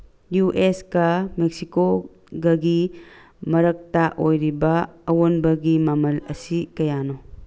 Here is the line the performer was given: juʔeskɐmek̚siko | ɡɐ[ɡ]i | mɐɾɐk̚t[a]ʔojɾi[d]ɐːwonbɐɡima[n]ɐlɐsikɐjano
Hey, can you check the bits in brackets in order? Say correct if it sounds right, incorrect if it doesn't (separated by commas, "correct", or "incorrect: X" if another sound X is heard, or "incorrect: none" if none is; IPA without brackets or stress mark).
correct, correct, incorrect: b, incorrect: m